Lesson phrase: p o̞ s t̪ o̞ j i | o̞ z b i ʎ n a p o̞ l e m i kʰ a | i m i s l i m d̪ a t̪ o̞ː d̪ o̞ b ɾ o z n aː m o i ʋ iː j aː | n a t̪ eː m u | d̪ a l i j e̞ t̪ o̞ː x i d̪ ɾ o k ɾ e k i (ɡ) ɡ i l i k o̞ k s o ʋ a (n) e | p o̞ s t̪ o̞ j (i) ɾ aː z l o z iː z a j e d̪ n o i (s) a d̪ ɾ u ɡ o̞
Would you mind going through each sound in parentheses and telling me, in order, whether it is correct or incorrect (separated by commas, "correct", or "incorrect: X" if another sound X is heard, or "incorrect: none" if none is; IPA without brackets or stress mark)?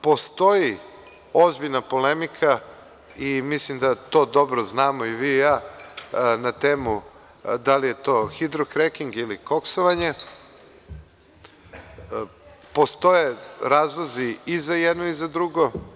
incorrect: ŋ, incorrect: ɲ, incorrect: e, incorrect: z